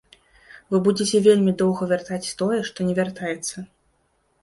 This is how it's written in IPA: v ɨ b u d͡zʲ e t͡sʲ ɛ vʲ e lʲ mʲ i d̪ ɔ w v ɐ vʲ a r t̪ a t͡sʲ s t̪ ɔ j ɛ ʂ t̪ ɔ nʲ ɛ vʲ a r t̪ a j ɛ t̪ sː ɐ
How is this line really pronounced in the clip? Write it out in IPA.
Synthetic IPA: v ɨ b u d͡zʲ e t͡sʲ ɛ vʲ e lʲ mʲ i d̪ ɔ w ɣ ɐ vʲ a r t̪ a t͡sʲ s t̪ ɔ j ɛ ʂ t̪ ɔ nʲ ɛ vʲ a r t̪ a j ɛ t̪ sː ɐ